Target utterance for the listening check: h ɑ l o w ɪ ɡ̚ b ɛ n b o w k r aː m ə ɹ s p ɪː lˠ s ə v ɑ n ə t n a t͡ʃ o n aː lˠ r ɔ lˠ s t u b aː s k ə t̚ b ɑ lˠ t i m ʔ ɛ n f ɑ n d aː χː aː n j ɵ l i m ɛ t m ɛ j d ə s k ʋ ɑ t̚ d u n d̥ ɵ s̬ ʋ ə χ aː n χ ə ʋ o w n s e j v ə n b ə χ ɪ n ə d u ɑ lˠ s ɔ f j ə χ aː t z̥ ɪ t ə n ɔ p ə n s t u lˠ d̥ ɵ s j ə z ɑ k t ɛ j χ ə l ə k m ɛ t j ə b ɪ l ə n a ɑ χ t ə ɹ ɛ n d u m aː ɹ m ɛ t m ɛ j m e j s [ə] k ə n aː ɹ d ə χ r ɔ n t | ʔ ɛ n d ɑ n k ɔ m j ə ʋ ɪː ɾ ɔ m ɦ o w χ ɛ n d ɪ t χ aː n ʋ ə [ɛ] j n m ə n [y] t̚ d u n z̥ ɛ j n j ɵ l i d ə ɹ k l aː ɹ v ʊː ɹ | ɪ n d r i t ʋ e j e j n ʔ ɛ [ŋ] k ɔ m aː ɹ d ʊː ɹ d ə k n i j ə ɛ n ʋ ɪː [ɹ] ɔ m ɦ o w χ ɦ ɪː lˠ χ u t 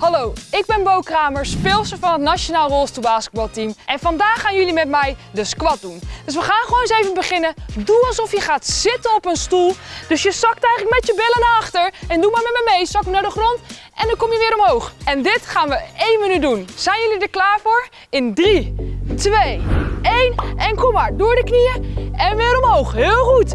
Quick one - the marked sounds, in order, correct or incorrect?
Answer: incorrect: ɑ, incorrect: e, correct, incorrect: n, incorrect: ɾ

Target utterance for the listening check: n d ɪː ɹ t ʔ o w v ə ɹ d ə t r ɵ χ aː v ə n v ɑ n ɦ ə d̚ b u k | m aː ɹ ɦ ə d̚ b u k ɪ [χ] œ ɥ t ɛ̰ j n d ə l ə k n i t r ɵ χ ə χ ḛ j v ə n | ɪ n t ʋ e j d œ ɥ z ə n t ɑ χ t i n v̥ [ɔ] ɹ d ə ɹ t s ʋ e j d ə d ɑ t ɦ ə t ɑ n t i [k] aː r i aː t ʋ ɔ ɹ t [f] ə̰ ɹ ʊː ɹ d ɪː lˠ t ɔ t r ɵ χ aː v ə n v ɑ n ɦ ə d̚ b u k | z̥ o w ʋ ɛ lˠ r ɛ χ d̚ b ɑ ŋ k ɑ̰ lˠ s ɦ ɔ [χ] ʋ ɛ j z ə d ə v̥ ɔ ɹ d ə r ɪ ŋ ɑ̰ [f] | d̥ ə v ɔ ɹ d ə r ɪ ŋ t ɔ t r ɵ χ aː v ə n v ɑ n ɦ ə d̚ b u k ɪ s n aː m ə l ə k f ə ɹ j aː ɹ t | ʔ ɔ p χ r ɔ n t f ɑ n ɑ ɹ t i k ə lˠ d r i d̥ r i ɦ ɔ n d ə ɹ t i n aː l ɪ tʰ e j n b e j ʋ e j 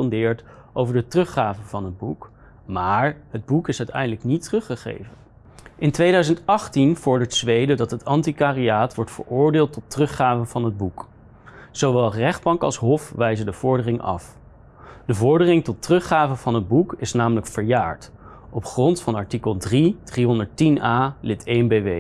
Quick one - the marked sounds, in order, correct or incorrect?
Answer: incorrect: s, correct, correct, correct, incorrect: f, correct

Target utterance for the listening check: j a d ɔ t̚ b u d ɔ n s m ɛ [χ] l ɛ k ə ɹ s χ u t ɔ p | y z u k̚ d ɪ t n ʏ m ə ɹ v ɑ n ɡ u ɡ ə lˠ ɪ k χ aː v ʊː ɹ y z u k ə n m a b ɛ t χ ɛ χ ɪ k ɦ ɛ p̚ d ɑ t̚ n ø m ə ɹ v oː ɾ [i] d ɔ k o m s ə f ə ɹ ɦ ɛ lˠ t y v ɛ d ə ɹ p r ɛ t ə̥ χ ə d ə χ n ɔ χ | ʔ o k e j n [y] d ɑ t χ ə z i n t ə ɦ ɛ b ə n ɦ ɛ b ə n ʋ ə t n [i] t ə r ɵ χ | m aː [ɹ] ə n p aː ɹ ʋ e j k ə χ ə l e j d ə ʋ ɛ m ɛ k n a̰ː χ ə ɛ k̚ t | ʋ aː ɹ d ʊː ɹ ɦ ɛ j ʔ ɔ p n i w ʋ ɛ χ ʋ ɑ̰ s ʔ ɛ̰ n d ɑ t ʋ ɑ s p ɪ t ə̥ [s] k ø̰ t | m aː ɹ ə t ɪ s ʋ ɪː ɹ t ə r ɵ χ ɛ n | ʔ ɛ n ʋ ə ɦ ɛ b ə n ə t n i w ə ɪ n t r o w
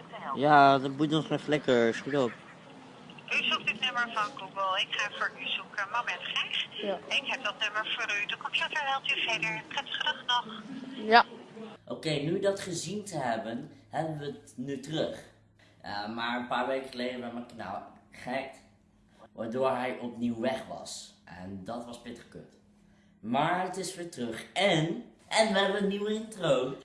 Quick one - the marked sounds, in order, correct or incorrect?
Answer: incorrect: f, incorrect: y, correct, incorrect: y, correct, incorrect: χ

